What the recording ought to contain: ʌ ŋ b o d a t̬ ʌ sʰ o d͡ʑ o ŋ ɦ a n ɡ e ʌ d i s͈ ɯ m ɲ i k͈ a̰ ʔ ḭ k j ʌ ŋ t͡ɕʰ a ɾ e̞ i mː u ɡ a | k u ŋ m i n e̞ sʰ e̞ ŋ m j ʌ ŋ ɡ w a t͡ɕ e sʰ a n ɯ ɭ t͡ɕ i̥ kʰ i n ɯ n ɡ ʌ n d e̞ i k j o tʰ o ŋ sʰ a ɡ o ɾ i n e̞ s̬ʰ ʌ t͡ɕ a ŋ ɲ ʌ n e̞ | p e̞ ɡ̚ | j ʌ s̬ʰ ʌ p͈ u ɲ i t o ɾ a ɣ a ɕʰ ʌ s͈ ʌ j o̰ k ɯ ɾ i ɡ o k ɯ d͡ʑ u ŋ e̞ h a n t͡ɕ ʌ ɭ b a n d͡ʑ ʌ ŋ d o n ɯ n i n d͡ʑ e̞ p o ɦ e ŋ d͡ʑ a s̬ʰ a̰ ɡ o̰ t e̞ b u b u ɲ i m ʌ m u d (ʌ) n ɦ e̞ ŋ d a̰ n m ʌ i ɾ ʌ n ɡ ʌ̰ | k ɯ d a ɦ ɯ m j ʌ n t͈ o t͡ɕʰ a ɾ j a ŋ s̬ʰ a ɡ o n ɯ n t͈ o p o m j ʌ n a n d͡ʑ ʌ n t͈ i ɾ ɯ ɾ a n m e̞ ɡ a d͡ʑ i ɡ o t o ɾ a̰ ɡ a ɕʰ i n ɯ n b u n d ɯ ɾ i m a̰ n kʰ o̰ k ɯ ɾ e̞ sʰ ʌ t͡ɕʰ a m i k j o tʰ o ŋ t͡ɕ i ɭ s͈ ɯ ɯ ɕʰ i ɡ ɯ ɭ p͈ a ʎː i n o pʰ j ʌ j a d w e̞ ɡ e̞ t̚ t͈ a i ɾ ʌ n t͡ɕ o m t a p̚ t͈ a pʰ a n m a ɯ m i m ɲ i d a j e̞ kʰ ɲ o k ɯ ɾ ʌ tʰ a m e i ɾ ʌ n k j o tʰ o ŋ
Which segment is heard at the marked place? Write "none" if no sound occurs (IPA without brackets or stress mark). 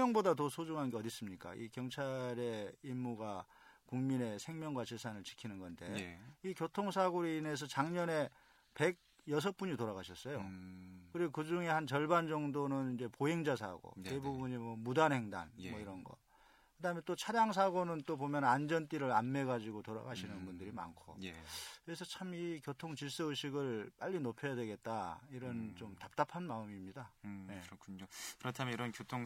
a